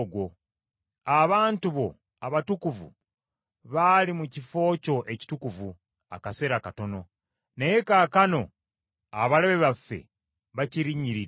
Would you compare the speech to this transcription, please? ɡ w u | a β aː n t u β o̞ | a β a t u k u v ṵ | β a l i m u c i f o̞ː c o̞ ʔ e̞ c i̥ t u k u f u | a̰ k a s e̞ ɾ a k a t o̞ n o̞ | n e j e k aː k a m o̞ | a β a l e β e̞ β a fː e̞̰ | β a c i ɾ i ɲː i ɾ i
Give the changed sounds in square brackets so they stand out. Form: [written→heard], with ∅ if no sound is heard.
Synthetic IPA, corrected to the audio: ɡ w [u→o] | a β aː n t u β o̞ | a β a t u k u v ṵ | β a l i m u c i f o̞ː c o̞ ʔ e̞ c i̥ t u k u [f→v] u | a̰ k a s e̞ ɾ a k a t o̞ n o̞ | n e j e k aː k a [m→n] o̞ | a β a l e β e̞ β a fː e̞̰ | β a c i ɾ i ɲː i ɾ i

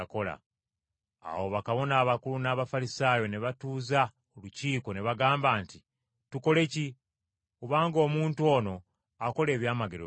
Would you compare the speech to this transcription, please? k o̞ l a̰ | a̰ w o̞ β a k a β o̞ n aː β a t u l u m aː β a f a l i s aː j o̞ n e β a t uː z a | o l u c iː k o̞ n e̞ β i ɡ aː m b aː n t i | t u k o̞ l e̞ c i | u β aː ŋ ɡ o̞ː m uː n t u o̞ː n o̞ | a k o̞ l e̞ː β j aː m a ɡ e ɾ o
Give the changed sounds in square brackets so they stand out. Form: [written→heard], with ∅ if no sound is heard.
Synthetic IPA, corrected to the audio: k o̞ l a̰ | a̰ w o̞ β a k a β o̞ n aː β a [t→k] u l u [m→n] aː β a f a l i s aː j o̞ n e β a t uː z a | o l u c iː k o̞ n e̞ β [i→a] ɡ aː m b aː n t i | t u k o̞ l e̞ c i | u β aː ŋ ɡ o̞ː m uː n t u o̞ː n o̞ | a k o̞ l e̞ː β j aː m a ɡ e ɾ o

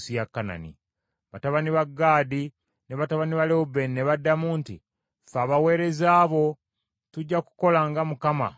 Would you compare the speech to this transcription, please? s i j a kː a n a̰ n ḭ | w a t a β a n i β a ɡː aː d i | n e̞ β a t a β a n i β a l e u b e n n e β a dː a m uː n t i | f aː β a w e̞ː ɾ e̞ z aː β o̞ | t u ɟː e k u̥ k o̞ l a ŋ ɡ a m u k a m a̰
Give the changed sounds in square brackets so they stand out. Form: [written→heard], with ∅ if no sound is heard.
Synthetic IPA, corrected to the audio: s i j a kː a n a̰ n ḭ | [w→β] a t a β a n i β a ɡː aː d i | n e̞ β a t a β a n i β a l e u b e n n e β a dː a m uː n t i | f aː β a w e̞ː ɾ e̞ z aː β o̞ | t u ɟː [e→a] k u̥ k o̞ l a ŋ ɡ a m u k a m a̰

